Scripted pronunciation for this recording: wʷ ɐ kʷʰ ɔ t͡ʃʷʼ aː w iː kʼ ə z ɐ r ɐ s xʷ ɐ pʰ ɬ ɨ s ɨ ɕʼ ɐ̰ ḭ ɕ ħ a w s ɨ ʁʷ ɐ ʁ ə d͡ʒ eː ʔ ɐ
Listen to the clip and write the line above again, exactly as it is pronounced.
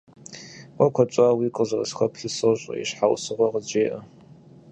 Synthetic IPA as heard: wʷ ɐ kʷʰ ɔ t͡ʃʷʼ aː w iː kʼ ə z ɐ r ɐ s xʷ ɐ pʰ ɬ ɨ s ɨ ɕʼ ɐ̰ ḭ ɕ ħ a w s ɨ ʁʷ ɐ ʁ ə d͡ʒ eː ʔ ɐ